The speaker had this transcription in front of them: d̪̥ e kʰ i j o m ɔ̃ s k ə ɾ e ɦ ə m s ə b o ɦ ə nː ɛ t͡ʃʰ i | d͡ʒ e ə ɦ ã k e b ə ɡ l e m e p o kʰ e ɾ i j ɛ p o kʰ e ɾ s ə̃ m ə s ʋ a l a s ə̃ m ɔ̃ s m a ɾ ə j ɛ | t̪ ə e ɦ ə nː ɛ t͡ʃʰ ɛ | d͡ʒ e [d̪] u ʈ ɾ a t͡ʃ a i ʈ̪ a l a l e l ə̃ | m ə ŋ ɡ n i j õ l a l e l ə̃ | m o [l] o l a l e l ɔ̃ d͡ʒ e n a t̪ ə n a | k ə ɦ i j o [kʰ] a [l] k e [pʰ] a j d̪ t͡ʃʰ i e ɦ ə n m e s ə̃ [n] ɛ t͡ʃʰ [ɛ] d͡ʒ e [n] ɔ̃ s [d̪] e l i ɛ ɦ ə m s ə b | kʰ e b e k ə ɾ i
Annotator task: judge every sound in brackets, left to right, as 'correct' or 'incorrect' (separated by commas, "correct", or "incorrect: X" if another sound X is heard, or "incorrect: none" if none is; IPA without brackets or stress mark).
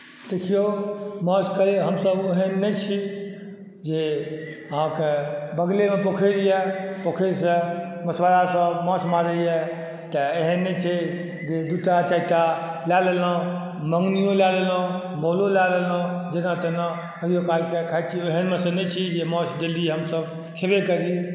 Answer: correct, correct, incorrect: k, correct, incorrect: kʰ, correct, incorrect: i, incorrect: m, correct